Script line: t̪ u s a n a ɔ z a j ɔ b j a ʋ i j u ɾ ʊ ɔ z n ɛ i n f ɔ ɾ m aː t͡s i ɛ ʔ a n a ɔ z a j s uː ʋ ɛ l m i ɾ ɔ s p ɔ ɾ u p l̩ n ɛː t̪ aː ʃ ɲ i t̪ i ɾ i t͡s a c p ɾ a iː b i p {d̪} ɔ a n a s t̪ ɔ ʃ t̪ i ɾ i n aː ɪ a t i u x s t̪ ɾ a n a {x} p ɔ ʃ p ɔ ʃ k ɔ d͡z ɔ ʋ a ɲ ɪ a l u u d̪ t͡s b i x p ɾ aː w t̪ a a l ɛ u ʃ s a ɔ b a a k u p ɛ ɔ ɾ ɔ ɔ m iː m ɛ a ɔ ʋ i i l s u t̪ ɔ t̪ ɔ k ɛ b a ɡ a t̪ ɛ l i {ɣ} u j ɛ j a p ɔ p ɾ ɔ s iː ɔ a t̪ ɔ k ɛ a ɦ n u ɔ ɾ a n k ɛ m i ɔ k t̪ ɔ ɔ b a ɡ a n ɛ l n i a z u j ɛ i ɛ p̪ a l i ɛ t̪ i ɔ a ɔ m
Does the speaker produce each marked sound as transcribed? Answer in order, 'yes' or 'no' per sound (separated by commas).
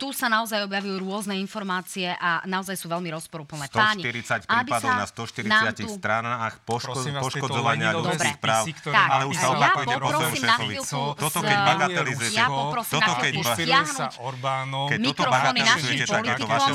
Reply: yes, yes, no